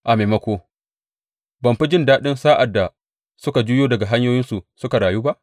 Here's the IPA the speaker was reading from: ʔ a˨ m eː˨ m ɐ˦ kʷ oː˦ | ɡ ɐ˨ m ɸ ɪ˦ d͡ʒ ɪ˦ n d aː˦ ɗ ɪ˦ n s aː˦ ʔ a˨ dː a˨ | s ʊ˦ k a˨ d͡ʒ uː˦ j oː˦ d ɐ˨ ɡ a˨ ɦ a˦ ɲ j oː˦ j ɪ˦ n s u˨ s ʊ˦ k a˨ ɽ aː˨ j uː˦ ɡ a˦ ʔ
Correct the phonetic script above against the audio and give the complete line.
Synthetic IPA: ʔ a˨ m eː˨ m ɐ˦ kʷ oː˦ | b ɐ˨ m ɸ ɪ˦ d͡ʒ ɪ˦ n d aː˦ ɗ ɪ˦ n s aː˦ ʔ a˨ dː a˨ | s ʊ˦ k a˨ d͡ʒ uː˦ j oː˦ d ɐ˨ ɡ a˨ ɦ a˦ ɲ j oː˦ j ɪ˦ n s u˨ s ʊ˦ k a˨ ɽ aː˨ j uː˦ b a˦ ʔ

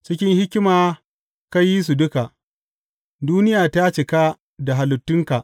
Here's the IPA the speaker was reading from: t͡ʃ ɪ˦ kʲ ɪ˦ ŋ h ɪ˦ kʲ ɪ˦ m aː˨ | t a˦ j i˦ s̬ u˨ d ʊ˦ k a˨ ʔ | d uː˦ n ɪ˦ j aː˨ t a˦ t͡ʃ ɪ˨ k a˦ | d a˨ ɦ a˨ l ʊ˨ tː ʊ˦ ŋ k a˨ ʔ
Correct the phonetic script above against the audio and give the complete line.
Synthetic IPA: t͡ʃ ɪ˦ kʲ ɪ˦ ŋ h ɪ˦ kʲ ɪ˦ m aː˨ | k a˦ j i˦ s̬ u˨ d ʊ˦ k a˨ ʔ | d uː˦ n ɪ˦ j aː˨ t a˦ t͡ʃ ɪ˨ k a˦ | d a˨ ɦ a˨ l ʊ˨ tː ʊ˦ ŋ k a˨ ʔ

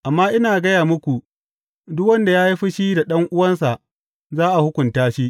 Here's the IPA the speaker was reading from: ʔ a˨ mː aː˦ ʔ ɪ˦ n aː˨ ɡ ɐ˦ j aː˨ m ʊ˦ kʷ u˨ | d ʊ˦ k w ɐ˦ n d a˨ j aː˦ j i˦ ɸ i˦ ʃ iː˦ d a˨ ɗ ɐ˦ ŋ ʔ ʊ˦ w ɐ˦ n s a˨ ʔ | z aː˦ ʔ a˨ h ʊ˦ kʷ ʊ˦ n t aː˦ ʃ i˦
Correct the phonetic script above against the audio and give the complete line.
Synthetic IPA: ʔ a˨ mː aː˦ ʔ ɪ˦ n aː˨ ɡ ɐ˦ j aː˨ m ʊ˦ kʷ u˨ | d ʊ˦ k w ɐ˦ n d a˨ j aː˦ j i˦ ɸ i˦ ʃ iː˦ d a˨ ɗ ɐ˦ ŋ ʔ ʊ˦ w ɐ˦ n s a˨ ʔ | z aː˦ ʔ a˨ h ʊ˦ kʷ ʊ˨ n t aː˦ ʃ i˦

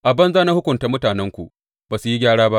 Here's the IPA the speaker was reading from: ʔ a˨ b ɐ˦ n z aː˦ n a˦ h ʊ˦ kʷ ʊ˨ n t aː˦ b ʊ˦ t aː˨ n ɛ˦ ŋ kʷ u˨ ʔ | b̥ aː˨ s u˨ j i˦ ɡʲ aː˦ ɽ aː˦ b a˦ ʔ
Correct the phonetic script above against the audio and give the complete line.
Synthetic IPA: ʔ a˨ b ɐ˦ n z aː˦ n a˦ h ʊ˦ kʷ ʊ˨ n t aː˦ m ʊ˦ t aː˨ n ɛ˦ ŋ kʷ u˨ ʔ | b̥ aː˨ s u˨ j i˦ ɡʲ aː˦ ɽ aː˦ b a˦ ʔ

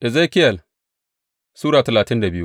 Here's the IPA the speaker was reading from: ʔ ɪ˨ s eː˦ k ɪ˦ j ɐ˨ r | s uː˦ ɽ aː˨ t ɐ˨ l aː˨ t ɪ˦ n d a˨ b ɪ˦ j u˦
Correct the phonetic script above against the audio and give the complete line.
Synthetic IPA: ʔ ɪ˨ z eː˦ k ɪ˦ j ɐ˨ l | s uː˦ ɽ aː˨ t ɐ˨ l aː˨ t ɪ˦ n d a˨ b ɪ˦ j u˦

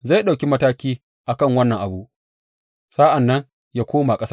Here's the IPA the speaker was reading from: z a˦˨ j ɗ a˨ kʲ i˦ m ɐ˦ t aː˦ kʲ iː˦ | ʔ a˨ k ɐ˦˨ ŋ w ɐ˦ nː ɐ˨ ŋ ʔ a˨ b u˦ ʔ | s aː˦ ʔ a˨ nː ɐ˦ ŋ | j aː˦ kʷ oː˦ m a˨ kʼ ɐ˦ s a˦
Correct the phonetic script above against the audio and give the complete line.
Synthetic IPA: z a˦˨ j ɗ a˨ kʲ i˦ m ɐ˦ t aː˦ kʲ iː˦ | ʔ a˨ k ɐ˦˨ ŋ w ɐ˦ nː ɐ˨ ŋ ʔ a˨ b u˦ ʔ | s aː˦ ʔ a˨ nː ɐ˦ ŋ | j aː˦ kʷ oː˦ m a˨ kʼ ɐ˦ s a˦

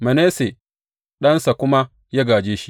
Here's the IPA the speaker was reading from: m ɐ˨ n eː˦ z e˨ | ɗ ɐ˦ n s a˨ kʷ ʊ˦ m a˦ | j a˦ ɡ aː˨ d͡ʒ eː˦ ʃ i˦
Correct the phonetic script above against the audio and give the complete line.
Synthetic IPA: m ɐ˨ n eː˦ s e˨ | ɗ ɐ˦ n s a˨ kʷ ʊ˦ m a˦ | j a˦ ɡ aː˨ d͡ʒ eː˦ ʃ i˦

